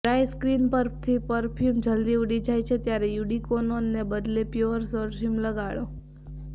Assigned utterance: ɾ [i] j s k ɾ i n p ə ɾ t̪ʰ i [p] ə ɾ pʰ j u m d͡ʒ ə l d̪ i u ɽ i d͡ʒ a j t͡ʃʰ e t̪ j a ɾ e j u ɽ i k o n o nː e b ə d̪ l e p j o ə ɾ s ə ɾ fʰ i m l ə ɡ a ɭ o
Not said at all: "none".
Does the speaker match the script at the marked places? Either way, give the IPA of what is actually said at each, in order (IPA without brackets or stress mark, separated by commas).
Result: a, p